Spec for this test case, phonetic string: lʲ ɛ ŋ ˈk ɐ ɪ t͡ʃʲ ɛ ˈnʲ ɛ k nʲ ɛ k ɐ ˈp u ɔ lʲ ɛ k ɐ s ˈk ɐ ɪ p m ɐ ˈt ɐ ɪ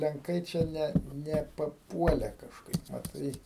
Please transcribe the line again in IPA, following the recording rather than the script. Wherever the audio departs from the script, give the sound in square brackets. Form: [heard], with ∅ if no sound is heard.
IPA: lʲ ɛ ŋ ˈk ɐ ɪ t͡ʃʲ ɛ ˈnʲ ɛ [∅] nʲ ɛ [p] ɐ ˈp u ɔ lʲ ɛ k ɐ [ʃ] ˈk ɐ ɪ p m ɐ ˈt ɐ ɪ